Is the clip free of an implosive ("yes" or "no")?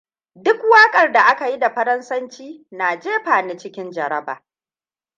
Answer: yes